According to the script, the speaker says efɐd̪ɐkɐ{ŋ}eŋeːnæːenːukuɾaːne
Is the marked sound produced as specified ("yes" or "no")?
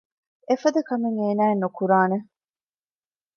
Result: no